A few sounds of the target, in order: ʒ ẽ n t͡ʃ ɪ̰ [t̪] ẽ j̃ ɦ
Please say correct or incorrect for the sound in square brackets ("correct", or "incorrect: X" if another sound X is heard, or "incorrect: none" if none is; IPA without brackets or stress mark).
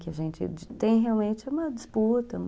correct